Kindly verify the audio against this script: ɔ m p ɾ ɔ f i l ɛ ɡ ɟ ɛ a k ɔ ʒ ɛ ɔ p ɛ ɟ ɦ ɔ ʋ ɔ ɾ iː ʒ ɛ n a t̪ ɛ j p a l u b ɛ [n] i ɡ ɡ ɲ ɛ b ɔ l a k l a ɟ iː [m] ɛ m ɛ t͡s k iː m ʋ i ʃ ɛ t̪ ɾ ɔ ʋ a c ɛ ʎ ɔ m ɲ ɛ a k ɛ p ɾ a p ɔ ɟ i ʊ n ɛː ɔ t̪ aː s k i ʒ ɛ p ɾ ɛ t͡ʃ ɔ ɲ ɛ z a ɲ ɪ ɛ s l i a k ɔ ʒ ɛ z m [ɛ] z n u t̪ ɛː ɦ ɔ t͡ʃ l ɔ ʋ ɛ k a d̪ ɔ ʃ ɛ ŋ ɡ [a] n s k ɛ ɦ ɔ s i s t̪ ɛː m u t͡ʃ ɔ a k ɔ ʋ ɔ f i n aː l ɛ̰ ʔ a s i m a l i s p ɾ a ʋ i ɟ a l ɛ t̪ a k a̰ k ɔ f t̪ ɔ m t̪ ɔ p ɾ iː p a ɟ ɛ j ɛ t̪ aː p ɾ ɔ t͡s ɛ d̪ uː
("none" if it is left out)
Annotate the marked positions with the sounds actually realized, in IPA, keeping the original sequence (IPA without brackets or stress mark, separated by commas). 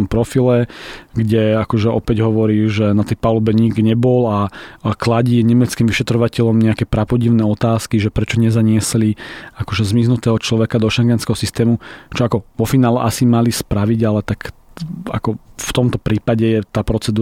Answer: ɲ, ɲ, i, ɛ